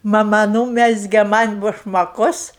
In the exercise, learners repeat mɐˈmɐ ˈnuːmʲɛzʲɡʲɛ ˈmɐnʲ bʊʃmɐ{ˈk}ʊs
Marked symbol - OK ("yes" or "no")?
yes